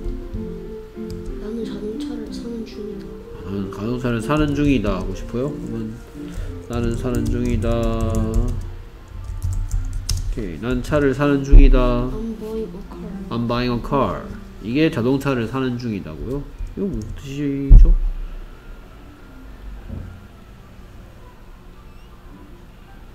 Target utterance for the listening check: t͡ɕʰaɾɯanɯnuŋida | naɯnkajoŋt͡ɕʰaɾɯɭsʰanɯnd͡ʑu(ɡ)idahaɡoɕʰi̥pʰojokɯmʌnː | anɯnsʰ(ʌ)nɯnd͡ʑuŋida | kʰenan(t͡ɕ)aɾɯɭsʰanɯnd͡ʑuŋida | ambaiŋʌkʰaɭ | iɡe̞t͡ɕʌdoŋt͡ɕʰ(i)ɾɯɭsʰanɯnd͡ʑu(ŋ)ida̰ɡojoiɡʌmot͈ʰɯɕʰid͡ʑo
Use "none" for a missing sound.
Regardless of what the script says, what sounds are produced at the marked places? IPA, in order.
ŋ, a, t͡ɕʰ, a, ŋ

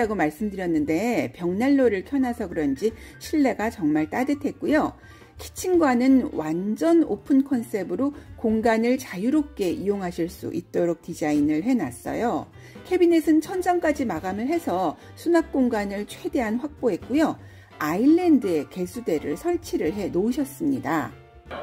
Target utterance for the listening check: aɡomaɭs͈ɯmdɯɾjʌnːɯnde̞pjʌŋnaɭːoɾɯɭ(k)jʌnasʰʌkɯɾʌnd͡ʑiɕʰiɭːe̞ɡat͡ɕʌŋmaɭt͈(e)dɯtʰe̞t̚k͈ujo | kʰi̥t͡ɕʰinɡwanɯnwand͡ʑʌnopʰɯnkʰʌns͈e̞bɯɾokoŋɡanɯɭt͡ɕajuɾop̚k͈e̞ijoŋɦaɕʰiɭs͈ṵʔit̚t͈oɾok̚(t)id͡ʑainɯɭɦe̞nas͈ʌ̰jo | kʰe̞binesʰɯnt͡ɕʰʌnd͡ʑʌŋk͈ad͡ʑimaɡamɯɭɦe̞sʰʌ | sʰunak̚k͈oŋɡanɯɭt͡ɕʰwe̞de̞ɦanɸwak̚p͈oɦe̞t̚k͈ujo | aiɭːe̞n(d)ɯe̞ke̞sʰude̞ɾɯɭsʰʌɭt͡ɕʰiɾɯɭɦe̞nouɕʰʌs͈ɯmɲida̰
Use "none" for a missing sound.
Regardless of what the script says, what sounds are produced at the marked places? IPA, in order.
kʰ, a, t, d

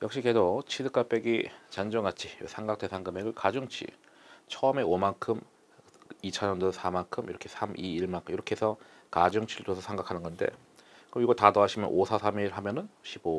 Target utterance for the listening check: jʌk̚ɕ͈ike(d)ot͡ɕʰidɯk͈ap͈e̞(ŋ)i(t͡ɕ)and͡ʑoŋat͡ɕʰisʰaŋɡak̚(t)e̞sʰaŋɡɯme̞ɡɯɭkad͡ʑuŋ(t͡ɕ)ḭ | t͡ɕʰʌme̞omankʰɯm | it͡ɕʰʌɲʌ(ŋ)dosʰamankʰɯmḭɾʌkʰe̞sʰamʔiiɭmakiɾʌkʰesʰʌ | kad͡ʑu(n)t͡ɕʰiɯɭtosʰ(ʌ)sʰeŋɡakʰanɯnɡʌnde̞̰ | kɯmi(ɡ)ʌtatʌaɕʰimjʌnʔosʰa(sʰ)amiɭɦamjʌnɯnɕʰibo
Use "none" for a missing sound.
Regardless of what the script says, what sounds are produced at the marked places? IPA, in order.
d, ɡ, t͡ɕ, t, t͡ɕʰ, n, ŋ, ʌ, ɡ, sʰ

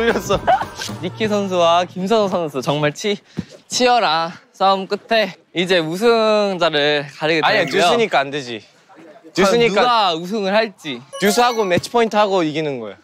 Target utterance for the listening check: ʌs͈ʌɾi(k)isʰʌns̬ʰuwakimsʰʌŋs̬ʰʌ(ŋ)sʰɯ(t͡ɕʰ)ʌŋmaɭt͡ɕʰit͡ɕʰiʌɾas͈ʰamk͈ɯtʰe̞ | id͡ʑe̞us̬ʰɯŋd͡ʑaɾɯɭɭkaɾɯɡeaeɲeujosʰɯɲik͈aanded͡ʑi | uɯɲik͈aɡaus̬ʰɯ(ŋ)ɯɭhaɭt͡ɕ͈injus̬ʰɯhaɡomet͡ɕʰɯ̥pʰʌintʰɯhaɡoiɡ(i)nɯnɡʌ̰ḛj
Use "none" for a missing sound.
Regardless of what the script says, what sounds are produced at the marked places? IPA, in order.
kʰ, n, t͡ɕ, ŋ, i

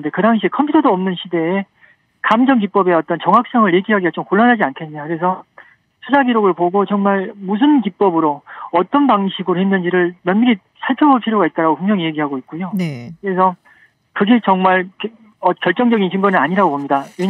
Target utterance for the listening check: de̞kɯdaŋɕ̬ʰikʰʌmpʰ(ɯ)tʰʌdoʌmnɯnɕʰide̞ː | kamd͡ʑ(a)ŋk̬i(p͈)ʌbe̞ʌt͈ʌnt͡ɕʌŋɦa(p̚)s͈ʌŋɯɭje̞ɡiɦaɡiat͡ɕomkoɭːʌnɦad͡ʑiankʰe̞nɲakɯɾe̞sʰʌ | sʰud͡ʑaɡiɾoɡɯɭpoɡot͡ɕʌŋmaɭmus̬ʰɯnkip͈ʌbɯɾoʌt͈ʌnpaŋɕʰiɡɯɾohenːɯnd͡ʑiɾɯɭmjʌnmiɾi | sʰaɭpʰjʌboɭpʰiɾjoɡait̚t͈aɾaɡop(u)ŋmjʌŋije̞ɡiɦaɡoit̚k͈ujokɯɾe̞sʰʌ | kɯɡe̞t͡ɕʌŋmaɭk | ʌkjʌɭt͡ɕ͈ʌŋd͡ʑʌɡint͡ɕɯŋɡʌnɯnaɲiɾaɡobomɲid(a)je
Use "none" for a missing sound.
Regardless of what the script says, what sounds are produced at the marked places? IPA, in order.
u, ʌ, p͈, k̚, u, a

